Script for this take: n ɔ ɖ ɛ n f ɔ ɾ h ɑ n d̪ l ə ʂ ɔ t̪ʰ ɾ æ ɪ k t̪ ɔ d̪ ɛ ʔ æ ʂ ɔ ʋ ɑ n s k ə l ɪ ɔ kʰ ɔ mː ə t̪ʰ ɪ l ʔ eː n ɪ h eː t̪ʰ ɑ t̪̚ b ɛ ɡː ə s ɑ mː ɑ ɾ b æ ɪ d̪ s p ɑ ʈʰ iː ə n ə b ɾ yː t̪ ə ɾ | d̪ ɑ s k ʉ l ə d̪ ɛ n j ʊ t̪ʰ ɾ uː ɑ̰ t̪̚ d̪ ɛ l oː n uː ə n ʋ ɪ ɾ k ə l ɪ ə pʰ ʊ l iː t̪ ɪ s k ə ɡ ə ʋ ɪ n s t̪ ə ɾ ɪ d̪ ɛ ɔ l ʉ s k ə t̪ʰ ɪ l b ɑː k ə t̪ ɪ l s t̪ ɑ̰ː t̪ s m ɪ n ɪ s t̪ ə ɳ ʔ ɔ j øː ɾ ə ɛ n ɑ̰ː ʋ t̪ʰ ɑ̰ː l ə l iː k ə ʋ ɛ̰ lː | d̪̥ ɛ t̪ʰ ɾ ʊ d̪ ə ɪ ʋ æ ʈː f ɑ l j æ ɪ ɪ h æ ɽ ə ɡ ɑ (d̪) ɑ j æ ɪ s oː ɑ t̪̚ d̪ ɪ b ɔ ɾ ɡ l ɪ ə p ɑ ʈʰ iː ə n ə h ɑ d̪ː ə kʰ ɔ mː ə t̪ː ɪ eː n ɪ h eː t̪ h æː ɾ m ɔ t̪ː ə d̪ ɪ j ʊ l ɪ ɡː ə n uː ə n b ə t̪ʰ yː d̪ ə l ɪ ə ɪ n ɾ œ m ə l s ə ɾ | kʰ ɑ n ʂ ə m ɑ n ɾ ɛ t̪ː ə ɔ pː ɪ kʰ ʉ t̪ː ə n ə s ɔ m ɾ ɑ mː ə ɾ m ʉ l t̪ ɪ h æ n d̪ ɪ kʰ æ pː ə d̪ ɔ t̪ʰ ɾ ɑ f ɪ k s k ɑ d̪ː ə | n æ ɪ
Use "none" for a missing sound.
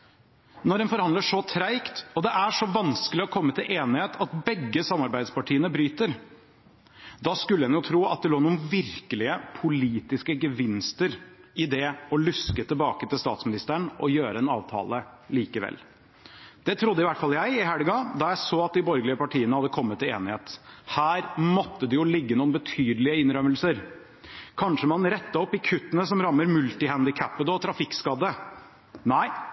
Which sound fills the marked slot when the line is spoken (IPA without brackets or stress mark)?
d̪